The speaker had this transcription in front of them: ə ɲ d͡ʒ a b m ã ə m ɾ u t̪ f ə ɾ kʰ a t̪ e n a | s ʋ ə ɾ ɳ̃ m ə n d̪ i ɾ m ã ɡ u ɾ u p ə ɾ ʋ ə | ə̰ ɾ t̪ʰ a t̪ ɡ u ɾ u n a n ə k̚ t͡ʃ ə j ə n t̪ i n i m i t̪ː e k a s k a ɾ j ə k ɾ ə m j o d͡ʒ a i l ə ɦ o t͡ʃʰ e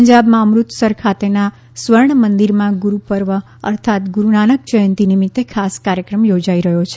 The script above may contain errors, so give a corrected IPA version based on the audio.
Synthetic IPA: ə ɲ d͡ʒ a b m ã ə m ɾ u t̪ s ə ɾ kʰ a t̪ e n a | s ʋ ə ɾ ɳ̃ m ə n d̪ i ɾ m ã ɡ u ɾ u p ə ɾ ʋ ə | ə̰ ɾ t̪ʰ a t̪ ɡ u ɾ u n a n ə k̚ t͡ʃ ə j ə n t̪ i n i m i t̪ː e kʰ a s k a ɾ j ə k ɾ ə m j o d͡ʒ a i ɾ ə ɦ o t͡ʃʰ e